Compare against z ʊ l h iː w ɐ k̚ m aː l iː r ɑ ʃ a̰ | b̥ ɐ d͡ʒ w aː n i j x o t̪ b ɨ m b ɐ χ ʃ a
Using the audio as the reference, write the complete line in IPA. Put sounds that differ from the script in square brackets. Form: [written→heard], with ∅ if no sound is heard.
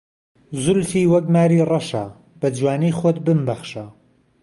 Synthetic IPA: z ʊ l [h→f] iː w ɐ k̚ m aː [l→ɾ] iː r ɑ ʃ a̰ | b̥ ɐ d͡ʒ w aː n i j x o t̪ b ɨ m b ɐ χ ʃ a

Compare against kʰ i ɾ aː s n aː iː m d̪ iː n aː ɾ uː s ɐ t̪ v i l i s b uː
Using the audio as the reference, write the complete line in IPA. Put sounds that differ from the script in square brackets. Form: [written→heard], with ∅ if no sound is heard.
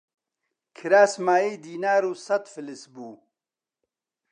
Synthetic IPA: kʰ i ɾ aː s [n→m] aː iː [m→∅] d̪ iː n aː ɾ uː s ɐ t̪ [v→f] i l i s b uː

